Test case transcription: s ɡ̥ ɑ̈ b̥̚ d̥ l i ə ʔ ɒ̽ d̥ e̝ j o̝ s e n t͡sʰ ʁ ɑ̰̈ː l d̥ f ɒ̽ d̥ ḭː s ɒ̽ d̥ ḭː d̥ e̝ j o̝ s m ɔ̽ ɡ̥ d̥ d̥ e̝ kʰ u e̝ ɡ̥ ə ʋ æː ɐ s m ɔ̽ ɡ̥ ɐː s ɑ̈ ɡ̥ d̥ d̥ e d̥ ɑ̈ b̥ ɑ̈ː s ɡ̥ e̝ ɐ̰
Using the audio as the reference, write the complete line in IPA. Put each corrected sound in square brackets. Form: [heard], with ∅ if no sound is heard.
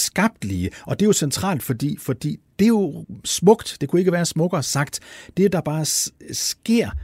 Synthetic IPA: s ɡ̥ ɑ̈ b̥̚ d̥ l i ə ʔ ɒ̽ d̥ e̝ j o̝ s e n t͡sʰ ʁ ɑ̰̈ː l d̥ f ɒ̽ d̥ ḭː [f] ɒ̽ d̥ ḭː d̥ e̝ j o̝ s m ɔ̽ ɡ̥ d̥ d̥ e̝ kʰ u e̝ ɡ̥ ə ʋ æː ɐ s m ɔ̽ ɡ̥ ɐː s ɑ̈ ɡ̥ d̥ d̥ e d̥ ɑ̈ b̥ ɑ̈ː s ɡ̥ e̝ ɐ̰